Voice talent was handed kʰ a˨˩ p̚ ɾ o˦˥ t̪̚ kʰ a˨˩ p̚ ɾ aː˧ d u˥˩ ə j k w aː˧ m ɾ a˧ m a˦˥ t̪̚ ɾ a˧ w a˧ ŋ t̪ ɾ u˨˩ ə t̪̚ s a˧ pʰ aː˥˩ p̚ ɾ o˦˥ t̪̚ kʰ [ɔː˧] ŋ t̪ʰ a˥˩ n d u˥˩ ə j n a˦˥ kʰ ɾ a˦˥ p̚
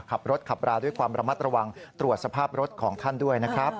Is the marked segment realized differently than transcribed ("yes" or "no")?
yes